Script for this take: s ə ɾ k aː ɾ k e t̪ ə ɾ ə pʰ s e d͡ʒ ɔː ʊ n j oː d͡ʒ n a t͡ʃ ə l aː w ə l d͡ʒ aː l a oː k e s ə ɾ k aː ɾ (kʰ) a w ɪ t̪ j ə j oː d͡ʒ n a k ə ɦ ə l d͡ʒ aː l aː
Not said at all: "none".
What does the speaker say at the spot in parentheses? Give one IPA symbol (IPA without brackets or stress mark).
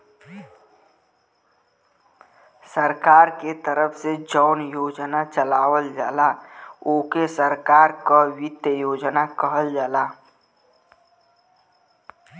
k